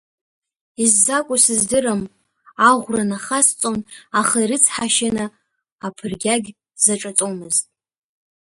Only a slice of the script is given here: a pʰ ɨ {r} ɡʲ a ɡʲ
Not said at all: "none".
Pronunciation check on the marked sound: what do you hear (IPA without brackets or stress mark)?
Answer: r